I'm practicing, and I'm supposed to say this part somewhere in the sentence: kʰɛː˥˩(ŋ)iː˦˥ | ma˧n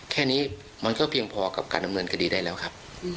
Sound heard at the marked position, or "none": n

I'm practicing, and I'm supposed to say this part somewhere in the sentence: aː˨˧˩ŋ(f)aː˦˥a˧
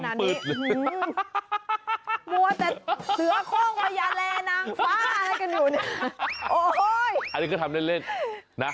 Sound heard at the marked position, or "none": f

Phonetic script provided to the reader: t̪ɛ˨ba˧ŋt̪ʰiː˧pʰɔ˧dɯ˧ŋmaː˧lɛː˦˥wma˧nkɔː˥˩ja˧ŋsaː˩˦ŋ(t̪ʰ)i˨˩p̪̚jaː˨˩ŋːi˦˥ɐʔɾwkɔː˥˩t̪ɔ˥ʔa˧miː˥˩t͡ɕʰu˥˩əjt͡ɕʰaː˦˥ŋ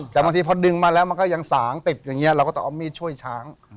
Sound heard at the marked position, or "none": t̪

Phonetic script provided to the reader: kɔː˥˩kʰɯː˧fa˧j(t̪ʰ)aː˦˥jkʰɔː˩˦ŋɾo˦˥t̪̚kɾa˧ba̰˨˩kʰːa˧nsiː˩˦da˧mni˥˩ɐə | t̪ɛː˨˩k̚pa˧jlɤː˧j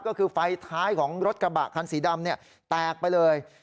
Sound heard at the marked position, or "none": t̪ʰ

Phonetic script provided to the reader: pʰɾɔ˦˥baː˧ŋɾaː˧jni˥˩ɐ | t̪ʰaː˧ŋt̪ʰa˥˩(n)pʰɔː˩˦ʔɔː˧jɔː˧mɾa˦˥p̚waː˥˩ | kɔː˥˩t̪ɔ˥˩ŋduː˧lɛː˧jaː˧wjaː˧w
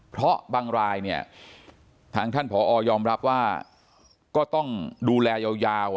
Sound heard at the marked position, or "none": n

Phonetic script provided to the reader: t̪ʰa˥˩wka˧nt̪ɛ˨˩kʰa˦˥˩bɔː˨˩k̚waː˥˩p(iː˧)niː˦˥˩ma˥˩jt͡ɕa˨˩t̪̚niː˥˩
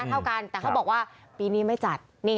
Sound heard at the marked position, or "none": iː˧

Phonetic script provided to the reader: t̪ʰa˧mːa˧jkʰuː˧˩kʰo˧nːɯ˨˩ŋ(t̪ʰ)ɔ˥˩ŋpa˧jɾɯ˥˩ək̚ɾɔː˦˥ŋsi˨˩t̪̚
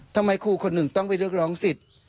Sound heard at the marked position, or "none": t̪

